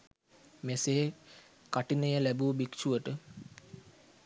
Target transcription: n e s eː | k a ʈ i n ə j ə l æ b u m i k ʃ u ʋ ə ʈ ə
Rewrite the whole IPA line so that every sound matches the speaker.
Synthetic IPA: m e s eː | k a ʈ i n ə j ə l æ b u b i k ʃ u ʋ ə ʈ ə